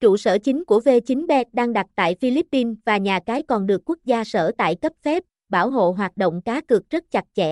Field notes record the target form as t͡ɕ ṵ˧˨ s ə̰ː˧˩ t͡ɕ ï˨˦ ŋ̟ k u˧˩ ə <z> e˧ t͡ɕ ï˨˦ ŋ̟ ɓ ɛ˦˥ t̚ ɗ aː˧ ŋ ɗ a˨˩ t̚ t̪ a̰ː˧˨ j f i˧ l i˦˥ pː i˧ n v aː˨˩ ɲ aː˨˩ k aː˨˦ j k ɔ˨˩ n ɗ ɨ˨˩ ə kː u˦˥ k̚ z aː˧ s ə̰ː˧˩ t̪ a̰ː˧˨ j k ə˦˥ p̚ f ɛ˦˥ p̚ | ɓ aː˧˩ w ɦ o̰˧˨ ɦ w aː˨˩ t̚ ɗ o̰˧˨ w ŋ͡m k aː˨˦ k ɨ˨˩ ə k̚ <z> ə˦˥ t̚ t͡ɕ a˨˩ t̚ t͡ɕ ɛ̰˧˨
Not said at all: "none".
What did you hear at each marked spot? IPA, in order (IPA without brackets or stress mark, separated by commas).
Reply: v, z